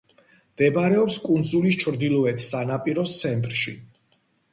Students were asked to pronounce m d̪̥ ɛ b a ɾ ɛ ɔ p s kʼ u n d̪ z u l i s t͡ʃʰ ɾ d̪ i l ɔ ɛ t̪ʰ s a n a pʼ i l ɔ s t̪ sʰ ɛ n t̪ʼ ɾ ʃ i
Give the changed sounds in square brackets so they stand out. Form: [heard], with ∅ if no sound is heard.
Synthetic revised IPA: m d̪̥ ɛ b a ɾ ɛ ɔ p s kʼ u n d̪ z u l i s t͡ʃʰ ɾ d̪ i l ɔ ɛ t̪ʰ s a n a pʼ i [ɾ] ɔ s t̪ sʰ ɛ n t̪ʼ ɾ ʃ i

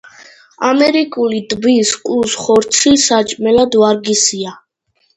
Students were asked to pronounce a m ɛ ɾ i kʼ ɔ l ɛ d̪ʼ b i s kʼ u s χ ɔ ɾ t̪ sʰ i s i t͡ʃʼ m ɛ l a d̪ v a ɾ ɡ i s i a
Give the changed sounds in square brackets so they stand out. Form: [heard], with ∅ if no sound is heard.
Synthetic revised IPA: a m ɛ ɾ i kʼ [u] l [i] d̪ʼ b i s kʼ u s χ ɔ ɾ t̪ sʰ i s [a] t͡ʃʼ m ɛ l a d̪ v a ɾ ɡ i s i a

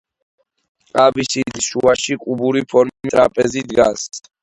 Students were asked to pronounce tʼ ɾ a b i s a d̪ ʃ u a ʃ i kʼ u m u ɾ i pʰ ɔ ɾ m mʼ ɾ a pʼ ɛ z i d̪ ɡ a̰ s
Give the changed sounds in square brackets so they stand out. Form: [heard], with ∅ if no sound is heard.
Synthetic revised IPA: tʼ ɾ a b i s [i] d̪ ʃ u a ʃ i kʼ u [b] u ɾ i pʰ ɔ ɾ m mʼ ɾ a pʼ ɛ z i d̪ ɡ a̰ s

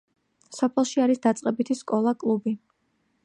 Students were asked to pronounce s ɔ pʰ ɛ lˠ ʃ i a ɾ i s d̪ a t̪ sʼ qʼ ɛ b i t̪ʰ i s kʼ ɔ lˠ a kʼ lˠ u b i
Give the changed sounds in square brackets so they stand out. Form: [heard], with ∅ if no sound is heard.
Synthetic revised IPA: s ɔ pʰ ɛ lˠ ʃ i a ɾ i s d̪ a t̪ sʼ qʼ ɛ b i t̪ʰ i s kʼ ɔ lˠ a kʼ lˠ u b i

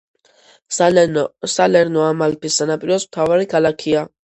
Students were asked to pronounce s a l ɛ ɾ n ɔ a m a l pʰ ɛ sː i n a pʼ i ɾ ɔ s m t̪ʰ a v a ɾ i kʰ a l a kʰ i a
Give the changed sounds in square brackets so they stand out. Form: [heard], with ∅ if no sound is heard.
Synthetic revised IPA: s a l ɛ ɾ n ɔ a m a l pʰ [i] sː [a] n a pʼ i ɾ ɔ s m t̪ʰ a v a ɾ i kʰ a l a kʰ i a

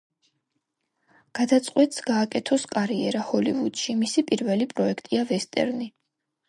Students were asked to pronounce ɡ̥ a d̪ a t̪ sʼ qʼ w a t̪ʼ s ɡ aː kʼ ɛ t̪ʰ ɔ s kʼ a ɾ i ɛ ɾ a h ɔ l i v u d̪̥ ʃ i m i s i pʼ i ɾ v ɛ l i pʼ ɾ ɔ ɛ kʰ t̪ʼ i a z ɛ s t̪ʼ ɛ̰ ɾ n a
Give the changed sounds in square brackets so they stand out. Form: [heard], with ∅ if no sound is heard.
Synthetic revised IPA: ɡ̥ a d̪ a t̪ sʼ qʼ w [ɛ] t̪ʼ s ɡ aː kʼ ɛ t̪ʰ ɔ s kʼ a ɾ i ɛ ɾ a h ɔ l i v u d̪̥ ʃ i m i s i pʼ i ɾ v ɛ l i pʼ ɾ ɔ ɛ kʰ t̪ʼ i a [v] ɛ s t̪ʼ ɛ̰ ɾ n [i]

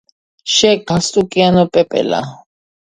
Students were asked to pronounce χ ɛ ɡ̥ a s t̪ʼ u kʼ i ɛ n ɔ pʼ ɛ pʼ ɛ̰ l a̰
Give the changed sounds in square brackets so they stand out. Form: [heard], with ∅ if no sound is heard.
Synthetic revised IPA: [ʃ] ɛ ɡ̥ a s t̪ʼ u kʼ i [a] n ɔ pʼ ɛ pʼ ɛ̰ l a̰

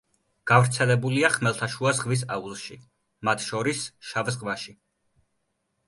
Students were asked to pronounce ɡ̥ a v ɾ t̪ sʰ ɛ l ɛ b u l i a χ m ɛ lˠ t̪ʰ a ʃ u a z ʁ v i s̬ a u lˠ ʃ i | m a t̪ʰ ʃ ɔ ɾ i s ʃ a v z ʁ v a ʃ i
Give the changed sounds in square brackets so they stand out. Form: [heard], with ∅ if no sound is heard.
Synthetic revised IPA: ɡ̥ a v ɾ t̪ sʰ ɛ l ɛ b u l i a χ m ɛ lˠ t̪ʰ a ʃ u a z ʁ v i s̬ a u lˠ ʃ i | m a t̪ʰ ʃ ɔ ɾ i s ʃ a v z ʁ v a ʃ i

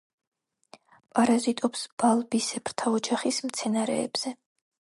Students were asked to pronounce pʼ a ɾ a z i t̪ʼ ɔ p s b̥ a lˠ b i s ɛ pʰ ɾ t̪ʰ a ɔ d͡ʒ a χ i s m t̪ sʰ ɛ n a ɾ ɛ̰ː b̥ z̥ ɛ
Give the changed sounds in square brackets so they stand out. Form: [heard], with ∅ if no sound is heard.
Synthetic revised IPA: pʼ a ɾ a z i t̪ʼ ɔ p s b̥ a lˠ b i s ɛ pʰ ɾ t̪ʰ a ɔ d͡ʒ a χ i s m t̪ sʰ ɛ n a ɾ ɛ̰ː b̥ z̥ ɛ

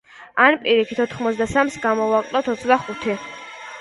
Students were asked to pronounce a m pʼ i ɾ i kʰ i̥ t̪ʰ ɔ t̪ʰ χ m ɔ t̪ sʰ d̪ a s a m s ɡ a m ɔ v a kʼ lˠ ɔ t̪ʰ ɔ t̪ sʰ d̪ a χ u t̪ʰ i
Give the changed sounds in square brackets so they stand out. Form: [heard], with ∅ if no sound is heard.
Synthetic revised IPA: a [n] pʼ i ɾ i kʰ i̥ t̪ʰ ɔ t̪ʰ χ m ɔ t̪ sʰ d̪ a s a m s ɡ a m ɔ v a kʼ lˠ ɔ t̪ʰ ɔ t̪ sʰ d̪ a χ u t̪ʰ i

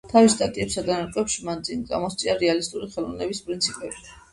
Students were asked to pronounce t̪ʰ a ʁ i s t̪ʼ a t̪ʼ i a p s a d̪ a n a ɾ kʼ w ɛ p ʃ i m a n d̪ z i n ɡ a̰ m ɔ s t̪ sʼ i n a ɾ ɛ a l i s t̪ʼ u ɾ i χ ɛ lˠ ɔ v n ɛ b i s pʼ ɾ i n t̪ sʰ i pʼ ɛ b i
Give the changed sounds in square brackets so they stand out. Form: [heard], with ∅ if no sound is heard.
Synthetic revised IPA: t̪ʰ a [v] i s t̪ʼ a t̪ʼ i [ɛ] p s a d̪ a n a ɾ kʼ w ɛ p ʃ i m a n d̪ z i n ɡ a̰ m ɔ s t̪ sʼ i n a ɾ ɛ a l i s t̪ʼ u ɾ i χ ɛ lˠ ɔ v n ɛ b i s pʼ ɾ i n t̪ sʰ i pʼ ɛ b i

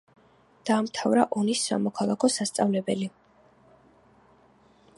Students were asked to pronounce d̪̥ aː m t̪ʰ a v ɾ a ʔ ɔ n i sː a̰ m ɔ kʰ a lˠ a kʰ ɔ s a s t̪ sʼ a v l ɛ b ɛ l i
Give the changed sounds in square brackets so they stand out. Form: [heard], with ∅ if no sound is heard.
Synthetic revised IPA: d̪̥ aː m t̪ʰ a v ɾ a ʔ ɔ n i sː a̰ m ɔ kʰ a lˠ a kʰ ɔ s a s t̪ sʼ a v l ɛ b ɛ l i

